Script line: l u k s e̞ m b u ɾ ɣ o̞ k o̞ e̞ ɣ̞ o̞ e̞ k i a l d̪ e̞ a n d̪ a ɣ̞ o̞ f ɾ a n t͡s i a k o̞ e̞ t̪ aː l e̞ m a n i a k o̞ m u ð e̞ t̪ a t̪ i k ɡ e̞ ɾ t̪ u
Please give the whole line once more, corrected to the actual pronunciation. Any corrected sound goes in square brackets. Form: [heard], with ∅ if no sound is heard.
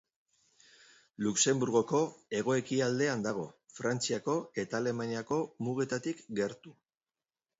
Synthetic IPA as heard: l u k s e̞ m b u ɾ ɣ o̞ k o̞ e̞ ɣ̞ o̞ e̞ k i a l d̪ e̞ a n d̪ a ɣ̞ o̞ f ɾ a n t͡s i a k o̞ e̞ t̪ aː l e̞ m a n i a k o̞ m u [ɣ] e̞ t̪ a t̪ i k ɡ e̞ ɾ t̪ u